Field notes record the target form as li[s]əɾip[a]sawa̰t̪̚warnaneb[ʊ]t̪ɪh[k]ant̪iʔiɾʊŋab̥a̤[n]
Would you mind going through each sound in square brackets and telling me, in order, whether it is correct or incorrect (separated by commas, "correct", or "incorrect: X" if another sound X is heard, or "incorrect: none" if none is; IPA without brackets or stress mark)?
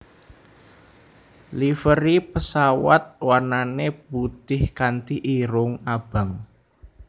incorrect: f, incorrect: ə, incorrect: u, correct, incorrect: ŋ